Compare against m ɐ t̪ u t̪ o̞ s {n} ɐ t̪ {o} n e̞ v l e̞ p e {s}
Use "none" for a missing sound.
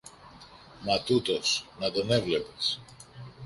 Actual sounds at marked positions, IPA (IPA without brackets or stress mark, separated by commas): n, o, s